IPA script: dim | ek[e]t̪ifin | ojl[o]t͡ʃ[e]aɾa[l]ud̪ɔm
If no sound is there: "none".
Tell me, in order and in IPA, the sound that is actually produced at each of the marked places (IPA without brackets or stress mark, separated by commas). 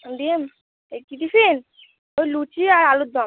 i, u, i, l